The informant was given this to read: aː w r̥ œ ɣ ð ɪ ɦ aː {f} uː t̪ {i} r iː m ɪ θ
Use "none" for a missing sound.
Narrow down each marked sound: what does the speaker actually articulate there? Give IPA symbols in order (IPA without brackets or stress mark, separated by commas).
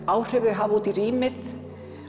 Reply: v, i